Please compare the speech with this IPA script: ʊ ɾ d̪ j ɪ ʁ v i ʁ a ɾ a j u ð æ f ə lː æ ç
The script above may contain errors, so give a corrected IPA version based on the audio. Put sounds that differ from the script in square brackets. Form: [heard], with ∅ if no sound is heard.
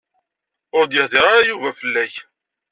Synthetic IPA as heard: ʊ ɾ d̪ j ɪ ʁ [ð] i ʁ a ɾ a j u [v] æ f ə lː æ ç